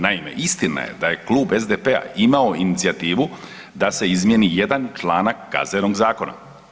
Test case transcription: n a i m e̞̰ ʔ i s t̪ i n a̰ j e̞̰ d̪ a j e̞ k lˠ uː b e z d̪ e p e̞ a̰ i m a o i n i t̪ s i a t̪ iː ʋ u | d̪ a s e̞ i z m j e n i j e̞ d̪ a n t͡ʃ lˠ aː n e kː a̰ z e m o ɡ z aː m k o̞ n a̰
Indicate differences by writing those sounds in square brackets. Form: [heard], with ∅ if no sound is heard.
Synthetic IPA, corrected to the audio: n a i m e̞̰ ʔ i s t̪ i n a̰ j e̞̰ d̪ a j e̞ k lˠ uː b e z d̪ e p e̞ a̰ i m a o i n i t̪ s i a t̪ iː ʋ u | d̪ a s e̞ i z m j e n i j e̞ d̪ a n t͡ʃ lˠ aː n [a] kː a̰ z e [n] o ɡ z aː [∅] k o̞ n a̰